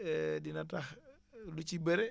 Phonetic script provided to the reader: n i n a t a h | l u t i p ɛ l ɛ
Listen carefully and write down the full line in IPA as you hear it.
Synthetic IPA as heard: d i n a t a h | l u t͡ʃ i b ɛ ɾ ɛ